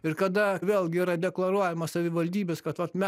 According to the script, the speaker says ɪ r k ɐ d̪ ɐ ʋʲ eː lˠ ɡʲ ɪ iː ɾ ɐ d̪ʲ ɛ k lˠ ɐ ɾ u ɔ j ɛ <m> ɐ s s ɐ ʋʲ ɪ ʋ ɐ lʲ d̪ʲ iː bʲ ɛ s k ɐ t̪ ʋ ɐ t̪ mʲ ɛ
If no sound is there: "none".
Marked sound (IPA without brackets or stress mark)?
m